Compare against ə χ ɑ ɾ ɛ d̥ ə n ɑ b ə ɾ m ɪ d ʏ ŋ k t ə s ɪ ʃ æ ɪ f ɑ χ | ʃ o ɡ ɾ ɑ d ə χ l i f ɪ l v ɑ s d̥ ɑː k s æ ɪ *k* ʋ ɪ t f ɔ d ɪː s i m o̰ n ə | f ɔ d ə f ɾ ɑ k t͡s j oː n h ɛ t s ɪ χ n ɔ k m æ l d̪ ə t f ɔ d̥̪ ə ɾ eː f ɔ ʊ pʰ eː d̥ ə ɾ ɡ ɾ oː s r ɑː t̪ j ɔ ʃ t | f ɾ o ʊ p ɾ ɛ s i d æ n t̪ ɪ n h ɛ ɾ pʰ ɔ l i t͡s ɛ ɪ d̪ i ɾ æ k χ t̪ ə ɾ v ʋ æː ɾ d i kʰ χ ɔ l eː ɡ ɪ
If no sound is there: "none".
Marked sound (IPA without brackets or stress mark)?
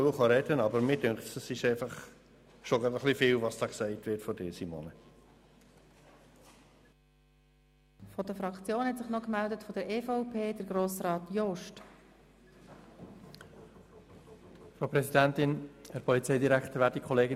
t